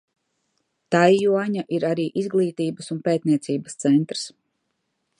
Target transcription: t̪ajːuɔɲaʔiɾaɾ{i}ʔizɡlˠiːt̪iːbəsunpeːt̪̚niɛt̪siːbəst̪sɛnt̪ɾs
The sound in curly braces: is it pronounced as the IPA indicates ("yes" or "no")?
no